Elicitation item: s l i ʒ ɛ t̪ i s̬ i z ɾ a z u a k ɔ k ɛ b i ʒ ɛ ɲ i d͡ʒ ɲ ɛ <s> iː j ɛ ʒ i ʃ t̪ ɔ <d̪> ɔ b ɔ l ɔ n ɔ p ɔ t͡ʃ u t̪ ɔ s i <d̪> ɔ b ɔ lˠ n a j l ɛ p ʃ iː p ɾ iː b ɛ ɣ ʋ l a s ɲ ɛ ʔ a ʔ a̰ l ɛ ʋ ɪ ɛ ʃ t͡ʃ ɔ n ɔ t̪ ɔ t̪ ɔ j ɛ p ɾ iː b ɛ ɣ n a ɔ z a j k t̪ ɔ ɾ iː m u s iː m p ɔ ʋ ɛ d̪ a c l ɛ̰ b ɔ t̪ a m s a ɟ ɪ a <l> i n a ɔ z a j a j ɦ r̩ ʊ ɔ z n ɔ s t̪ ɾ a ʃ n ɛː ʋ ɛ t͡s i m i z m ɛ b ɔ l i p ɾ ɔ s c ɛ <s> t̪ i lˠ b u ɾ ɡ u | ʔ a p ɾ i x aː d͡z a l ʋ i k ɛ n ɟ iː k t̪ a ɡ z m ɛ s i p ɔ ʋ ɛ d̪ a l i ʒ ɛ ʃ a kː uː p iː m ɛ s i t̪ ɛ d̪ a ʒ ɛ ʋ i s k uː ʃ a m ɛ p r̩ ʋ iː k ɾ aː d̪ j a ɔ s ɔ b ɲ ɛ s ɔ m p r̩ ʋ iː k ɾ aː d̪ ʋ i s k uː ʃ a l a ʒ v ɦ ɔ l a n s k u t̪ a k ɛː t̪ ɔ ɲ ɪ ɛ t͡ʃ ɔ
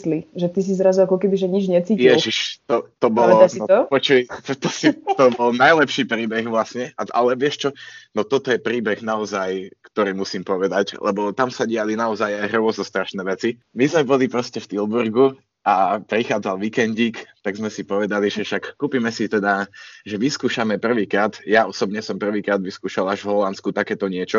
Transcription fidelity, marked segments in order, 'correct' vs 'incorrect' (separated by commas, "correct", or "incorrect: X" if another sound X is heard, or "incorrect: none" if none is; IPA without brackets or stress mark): incorrect: t͡s, incorrect: t̪, incorrect: t̪, correct, incorrect: f